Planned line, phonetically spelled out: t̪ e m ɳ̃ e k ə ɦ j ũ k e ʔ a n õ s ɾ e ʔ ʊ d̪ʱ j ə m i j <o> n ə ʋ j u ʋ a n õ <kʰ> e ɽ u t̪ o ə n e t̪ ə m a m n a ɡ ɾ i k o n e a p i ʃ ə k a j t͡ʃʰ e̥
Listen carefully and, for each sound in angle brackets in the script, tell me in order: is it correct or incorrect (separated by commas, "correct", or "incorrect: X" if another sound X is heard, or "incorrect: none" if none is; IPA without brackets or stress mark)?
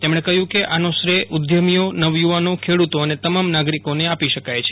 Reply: correct, correct